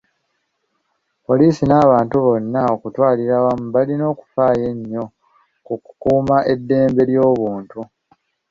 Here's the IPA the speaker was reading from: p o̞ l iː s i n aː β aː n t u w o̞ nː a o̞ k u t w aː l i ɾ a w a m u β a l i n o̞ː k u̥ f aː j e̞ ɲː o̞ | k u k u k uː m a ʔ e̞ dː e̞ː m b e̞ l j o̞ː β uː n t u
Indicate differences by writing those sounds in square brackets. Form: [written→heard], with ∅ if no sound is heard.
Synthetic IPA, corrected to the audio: p o̞ l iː s i n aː β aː n t u [w→β] o̞ nː a o̞ k u t w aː l i ɾ a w a m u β a l i n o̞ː k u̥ f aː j e̞ ɲː o̞ | k u k u k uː m a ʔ e̞ dː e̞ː m b e̞ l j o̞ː β uː n t u